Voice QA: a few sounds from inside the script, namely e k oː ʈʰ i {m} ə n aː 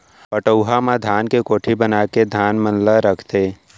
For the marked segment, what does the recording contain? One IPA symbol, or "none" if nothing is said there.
b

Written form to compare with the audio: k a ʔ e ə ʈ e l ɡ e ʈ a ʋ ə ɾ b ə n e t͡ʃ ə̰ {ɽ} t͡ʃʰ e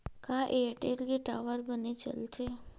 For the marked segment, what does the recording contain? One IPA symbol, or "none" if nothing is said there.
l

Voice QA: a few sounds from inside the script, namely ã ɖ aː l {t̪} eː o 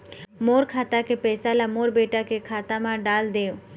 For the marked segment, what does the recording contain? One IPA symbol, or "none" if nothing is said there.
d̪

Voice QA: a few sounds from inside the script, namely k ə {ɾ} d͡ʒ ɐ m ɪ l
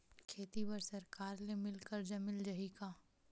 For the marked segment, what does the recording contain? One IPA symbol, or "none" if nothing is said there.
ɾ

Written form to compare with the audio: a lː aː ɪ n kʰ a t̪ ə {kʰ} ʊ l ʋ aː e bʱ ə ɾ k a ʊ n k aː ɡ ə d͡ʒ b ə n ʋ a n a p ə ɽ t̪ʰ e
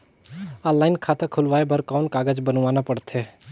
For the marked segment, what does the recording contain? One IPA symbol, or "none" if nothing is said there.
kʰ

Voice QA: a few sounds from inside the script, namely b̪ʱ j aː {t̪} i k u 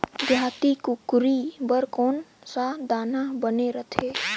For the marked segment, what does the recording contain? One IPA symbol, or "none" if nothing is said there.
t̪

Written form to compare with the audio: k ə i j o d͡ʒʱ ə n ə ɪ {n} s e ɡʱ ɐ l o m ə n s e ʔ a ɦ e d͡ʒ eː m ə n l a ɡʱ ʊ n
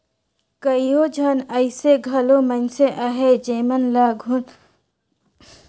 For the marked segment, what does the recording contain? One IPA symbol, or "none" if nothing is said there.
none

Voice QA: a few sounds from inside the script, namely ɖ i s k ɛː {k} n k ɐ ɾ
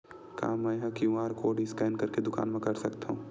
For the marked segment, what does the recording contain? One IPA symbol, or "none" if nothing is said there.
none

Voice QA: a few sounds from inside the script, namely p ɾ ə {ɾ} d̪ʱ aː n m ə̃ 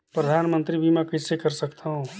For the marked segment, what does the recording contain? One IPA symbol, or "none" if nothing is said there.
none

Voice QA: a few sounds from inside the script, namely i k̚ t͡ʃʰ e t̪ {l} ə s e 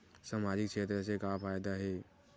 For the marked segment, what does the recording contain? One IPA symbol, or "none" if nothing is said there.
ɾ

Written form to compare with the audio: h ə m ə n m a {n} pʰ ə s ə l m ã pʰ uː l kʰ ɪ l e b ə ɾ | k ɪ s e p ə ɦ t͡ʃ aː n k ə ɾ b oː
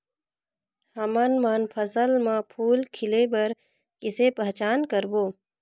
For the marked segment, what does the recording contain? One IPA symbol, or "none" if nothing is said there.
n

